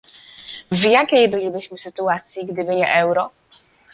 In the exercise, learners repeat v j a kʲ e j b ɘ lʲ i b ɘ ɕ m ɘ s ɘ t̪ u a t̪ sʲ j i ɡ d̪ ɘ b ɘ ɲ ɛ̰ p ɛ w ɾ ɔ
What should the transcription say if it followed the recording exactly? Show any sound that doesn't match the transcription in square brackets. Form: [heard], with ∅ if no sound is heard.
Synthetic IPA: v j a kʲ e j b ɘ lʲ i b ɘ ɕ m ɘ s ɘ t̪ u a t̪ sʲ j i ɡ d̪ ɘ b ɘ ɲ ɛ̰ [ʔ] ɛ w ɾ ɔ